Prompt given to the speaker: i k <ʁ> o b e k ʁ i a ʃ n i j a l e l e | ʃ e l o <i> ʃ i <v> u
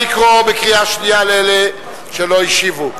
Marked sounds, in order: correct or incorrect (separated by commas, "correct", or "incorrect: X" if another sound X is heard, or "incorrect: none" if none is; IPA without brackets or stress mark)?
correct, correct, correct